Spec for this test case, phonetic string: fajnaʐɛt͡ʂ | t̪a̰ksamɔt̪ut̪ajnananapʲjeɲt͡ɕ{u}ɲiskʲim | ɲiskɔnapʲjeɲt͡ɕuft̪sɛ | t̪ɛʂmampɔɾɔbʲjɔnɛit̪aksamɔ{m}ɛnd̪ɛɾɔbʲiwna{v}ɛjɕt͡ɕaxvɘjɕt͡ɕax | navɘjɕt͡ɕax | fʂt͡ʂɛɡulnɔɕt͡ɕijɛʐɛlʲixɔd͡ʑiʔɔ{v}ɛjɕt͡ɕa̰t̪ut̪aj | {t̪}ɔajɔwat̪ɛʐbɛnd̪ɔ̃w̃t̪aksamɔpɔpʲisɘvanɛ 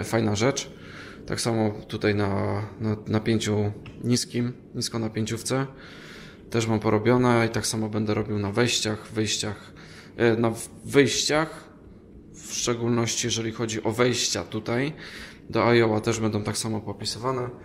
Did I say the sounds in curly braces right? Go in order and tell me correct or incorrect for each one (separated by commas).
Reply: correct, incorrect, correct, correct, incorrect